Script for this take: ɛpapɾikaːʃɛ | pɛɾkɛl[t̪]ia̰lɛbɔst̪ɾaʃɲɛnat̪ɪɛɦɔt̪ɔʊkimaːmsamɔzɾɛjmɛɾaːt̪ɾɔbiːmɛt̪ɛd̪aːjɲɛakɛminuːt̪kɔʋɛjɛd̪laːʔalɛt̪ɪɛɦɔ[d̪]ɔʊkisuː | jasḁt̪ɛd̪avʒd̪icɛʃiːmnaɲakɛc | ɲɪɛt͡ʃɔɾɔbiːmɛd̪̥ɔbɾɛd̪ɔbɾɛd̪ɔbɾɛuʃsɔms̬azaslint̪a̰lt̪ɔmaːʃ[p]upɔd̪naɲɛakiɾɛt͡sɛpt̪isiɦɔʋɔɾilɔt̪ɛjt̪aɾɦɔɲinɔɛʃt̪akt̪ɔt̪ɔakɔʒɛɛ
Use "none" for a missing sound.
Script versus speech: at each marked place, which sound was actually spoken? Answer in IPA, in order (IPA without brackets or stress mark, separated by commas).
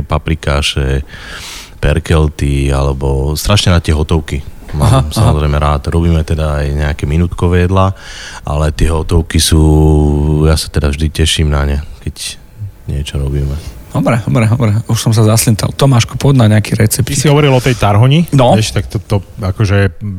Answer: t̪, t̪, k